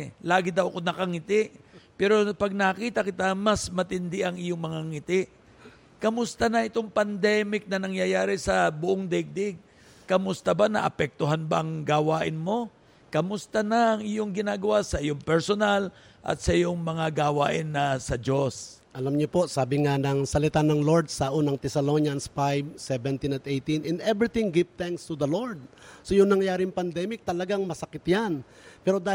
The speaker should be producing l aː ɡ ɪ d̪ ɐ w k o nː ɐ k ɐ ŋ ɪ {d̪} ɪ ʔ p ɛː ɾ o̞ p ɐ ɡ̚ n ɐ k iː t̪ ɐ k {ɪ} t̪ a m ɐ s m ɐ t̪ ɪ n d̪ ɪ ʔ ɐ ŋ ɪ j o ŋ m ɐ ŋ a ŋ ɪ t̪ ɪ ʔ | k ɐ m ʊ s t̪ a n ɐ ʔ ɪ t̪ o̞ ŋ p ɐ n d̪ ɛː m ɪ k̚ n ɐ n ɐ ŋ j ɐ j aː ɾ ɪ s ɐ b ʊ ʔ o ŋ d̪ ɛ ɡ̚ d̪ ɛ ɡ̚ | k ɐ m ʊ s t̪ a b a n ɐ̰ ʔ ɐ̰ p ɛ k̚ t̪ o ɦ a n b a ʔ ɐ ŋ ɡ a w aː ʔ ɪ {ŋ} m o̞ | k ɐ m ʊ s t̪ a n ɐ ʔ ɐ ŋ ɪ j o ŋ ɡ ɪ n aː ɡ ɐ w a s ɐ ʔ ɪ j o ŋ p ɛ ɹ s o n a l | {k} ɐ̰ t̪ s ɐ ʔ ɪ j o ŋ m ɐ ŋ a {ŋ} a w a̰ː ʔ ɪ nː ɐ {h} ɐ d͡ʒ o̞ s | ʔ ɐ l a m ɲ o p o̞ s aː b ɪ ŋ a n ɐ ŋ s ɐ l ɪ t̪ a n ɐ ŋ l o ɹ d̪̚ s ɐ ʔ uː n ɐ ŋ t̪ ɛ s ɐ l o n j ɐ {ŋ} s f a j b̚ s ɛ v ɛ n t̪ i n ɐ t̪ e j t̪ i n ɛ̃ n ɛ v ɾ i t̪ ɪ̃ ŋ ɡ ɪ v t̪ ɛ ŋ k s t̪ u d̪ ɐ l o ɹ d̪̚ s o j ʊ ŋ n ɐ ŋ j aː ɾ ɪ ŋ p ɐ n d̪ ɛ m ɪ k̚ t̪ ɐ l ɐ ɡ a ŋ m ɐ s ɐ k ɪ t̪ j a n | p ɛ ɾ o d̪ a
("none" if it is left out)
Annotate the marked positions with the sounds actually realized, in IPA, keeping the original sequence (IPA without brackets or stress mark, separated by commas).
t̪, ɪ, n, ʔ, ɡ, s, n